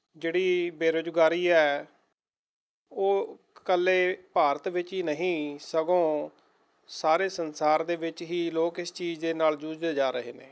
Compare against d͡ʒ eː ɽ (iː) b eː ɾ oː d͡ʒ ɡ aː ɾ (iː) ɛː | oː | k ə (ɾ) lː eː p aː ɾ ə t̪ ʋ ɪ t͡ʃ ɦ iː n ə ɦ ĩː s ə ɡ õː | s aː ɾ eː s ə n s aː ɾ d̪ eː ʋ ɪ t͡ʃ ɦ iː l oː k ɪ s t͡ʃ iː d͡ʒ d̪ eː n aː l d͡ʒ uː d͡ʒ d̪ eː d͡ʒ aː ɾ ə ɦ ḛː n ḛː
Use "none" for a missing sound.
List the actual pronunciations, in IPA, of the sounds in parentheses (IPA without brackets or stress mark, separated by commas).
iː, iː, none